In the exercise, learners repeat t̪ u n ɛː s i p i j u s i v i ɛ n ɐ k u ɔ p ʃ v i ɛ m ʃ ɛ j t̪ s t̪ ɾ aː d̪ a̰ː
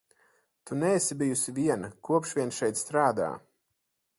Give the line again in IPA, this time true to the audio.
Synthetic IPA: t̪ u n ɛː s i b i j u s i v i ɛ n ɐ k u ɔ p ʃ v i ɛ n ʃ ɛ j t̪ s t̪ ɾ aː d̪ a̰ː